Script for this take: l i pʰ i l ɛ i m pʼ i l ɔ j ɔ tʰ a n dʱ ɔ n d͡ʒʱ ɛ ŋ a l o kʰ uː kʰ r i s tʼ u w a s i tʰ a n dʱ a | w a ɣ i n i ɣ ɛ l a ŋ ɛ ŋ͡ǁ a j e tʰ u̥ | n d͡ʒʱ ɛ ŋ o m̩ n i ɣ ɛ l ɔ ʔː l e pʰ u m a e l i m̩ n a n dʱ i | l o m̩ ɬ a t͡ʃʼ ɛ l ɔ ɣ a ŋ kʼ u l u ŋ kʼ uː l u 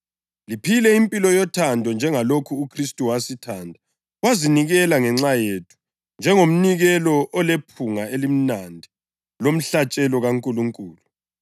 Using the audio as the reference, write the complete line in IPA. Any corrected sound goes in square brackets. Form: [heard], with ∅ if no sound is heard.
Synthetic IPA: l i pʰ i l ɛ i m pʼ i l ɔ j ɔ tʰ a n dʱ ɔ n d͡ʒʱ ɛ ŋ a l o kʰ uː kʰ r i s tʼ u w a s i tʰ a n dʱ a | w a [z] i n i ɣ ɛ l a ŋ ɛ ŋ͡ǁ a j e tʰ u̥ | n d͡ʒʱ ɛ ŋ o m̩ n i ɣ ɛ l ɔ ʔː l e pʰ u [ŋ] a e l i m̩ n a n dʱ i | l o m̩ ɬ a t͡ʃʼ ɛ l ɔ ɣ a ŋ kʼ u l u ŋ kʼ uː l u